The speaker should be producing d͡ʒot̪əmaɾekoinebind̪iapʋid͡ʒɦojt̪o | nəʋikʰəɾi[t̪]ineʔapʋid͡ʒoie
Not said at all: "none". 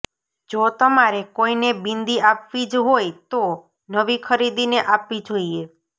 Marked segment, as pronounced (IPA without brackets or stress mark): d̪